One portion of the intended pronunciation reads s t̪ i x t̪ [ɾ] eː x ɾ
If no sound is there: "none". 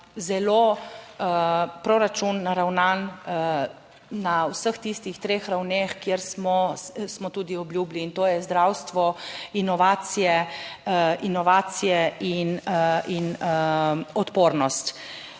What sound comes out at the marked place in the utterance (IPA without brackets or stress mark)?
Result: ɾ